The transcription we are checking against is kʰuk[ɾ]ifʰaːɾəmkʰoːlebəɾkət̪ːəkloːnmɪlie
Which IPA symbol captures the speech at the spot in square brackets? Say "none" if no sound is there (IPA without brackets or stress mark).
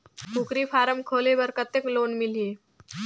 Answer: ɾ